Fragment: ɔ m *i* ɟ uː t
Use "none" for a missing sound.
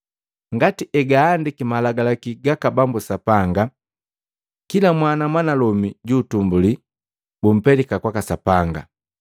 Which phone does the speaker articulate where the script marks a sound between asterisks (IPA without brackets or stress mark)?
i